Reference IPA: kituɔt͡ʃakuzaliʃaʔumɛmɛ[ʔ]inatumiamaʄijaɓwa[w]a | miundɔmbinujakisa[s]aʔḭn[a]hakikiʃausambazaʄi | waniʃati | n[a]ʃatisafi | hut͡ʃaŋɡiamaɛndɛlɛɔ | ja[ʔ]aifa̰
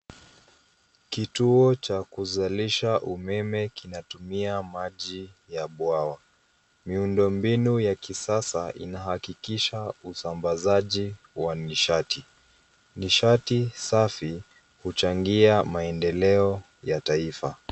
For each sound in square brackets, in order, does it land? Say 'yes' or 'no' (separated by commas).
no, yes, yes, yes, no, no